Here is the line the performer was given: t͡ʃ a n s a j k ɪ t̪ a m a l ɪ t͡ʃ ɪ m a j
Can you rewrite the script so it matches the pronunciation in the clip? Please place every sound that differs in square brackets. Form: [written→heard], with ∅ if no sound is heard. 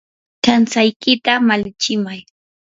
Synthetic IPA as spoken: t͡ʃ a n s a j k ɪ t̪ a m a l ɪ t͡ʃ ɪ m a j